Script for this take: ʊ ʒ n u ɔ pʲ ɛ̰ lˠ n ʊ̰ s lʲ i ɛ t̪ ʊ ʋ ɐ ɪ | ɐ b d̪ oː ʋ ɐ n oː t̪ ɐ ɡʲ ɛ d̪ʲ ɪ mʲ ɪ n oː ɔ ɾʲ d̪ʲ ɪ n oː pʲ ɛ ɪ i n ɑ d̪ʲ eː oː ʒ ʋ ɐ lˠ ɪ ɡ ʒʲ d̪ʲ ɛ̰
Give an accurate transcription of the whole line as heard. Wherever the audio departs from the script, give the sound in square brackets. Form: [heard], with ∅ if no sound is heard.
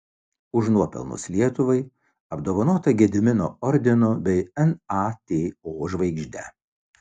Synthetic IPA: ʊ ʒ n u ɔ pʲ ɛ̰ lˠ n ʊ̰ s lʲ i ɛ t̪ ʊ ʋ ɐ ɪ | ɐ b d̪ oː ʋ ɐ n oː t̪ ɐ ɡʲ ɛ d̪ʲ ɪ mʲ ɪ n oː ɔ ɾʲ d̪ʲ ɪ n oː [bʲ] ɛ ɪ [ɛ] n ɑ [t̪ʲ] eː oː ʒ ʋ ɐ [∅] ɪ ɡ ʒʲ d̪ʲ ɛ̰

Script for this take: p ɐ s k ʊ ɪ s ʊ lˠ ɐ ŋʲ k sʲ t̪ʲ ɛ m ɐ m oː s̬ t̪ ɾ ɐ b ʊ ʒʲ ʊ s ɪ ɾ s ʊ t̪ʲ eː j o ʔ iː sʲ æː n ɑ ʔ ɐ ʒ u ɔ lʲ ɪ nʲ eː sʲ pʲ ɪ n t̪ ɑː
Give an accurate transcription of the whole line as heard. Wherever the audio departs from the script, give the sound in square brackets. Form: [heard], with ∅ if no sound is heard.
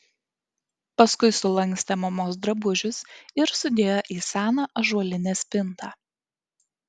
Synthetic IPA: p ɐ s k ʊ ɪ s ʊ lˠ ɐ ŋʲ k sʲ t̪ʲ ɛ m ɐ m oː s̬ [d̪] ɾ ɐ b ʊ ʒʲ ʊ s ɪ ɾ s ʊ [d̪ʲ] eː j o ʔ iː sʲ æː n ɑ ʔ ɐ ʒ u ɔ lʲ ɪ nʲ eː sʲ pʲ ɪ n t̪ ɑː

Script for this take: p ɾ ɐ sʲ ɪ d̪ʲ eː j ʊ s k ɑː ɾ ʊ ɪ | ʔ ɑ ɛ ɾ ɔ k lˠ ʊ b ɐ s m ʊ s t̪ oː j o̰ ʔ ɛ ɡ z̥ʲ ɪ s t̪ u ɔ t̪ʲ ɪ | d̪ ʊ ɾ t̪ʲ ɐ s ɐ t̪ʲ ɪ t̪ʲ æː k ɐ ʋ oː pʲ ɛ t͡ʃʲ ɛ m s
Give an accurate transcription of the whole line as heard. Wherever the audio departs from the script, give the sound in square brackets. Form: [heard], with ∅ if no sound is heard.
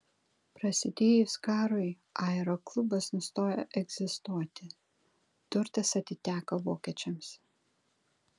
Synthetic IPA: p ɾ ɐ sʲ ɪ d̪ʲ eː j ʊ s k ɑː ɾ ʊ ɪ | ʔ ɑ ɛ ɾ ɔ k lˠ ʊ b ɐ s [n] ʊ s t̪ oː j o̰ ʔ ɛ ɡ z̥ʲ ɪ s t̪ u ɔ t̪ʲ ɪ | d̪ ʊ ɾ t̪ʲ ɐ s ɐ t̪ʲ ɪ t̪ʲ æː k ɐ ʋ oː [kʲ] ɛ t͡ʃʲ ɛ m s

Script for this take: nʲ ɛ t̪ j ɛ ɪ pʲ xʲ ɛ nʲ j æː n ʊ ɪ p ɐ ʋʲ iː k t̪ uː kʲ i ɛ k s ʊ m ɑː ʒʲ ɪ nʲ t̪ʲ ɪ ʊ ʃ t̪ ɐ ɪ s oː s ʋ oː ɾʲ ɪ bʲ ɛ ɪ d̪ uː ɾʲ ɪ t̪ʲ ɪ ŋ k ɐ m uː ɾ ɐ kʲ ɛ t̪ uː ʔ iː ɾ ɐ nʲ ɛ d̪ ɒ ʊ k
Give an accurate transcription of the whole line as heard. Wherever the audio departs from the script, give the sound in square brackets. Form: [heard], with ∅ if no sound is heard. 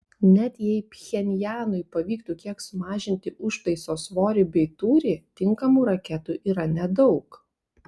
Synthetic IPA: nʲ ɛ t̪ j ɛ ɪ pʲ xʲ ɛ nʲ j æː n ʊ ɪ p ɐ ʋʲ iː k t̪ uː kʲ i ɛ k s ʊ m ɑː ʒʲ ɪ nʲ t̪ʲ ɪ ʊ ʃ t̪ ɐ ɪ s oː s ʋ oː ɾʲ ɪ bʲ ɛ ɪ [t̪] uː ɾʲ ɪ t̪ʲ ɪ ŋ k ɐ m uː ɾ ɐ kʲ ɛ t̪ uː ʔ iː ɾ ɐ nʲ ɛ d̪ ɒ ʊ k

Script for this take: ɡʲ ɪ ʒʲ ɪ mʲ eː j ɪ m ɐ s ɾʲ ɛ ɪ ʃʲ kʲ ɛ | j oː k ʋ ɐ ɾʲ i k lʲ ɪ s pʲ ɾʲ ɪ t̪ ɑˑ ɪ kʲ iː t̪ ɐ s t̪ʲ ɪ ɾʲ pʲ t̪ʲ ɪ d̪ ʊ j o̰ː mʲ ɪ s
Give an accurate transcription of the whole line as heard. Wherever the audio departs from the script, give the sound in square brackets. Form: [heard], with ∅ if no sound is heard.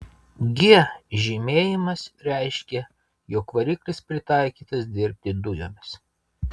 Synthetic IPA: ɡʲ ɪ ʒʲ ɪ mʲ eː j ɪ m ɐ s ɾʲ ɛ ɪ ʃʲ kʲ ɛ | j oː k ʋ ɐ ɾʲ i k lʲ ɪ s pʲ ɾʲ ɪ t̪ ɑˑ ɪ kʲ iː t̪ ɐ s [d̪ʲ] ɪ ɾʲ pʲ t̪ʲ ɪ d̪ ʊ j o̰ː mʲ ɪ s

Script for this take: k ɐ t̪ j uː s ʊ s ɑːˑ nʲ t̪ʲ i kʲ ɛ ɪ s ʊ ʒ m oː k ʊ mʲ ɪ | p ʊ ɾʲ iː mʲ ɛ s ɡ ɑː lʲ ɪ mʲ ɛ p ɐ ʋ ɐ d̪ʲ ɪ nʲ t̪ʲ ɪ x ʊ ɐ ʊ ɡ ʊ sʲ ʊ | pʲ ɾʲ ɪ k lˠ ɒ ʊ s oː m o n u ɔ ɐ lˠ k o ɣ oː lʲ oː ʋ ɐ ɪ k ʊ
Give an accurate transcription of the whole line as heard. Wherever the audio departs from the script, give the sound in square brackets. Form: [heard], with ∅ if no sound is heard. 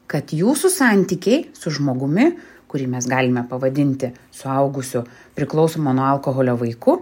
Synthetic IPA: k ɐ t̪ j uː s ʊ s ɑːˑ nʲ t̪ʲ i kʲ ɛ ɪ s ʊ ʒ m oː [ɡ] ʊ mʲ ɪ | [k] ʊ ɾʲ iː mʲ ɛ s ɡ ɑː lʲ ɪ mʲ ɛ p ɐ ʋ ɐ d̪ʲ ɪ nʲ t̪ʲ ɪ [s] ʊ ɐ ʊ ɡ ʊ sʲ ʊ | pʲ ɾʲ ɪ k lˠ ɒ ʊ s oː m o n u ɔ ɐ lˠ k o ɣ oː lʲ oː ʋ ɐ ɪ k ʊ

